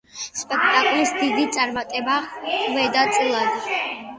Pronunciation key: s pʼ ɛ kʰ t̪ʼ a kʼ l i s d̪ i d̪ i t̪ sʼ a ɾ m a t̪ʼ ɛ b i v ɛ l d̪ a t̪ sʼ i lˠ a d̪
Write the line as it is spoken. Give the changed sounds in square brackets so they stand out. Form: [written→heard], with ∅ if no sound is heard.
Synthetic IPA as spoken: s pʼ ɛ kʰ t̪ʼ a kʼ l i s d̪ i d̪ i t̪ sʼ a ɾ m a t̪ʼ ɛ b [i→a] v ɛ [l→∅] d̪ a t̪ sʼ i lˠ a d̪